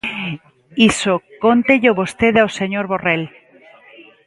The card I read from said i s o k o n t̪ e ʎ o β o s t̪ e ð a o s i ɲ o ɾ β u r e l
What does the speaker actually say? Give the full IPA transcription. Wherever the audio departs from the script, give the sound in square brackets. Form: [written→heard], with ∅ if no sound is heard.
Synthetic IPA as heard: i s o k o n t̪ e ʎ o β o s t̪ e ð a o s [i→e] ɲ o ɾ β [u→o] r e l